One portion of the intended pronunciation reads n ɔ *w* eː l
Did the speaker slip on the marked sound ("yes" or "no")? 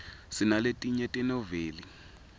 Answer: yes